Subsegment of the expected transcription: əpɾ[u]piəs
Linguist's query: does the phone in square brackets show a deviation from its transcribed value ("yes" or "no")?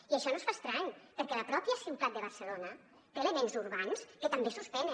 yes